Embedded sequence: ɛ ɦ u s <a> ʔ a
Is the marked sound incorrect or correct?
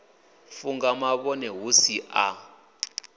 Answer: incorrect